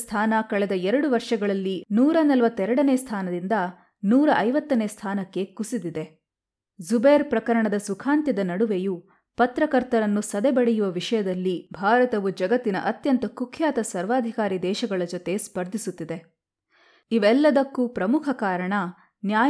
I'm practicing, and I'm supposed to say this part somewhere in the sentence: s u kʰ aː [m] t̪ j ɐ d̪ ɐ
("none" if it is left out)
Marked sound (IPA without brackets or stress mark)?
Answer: n